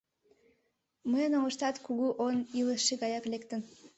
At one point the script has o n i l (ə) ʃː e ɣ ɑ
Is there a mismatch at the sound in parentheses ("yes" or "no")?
no